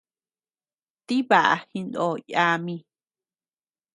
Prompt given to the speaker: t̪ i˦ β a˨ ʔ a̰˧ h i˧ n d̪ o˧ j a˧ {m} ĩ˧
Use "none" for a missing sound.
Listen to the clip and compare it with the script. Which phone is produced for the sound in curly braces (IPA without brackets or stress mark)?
m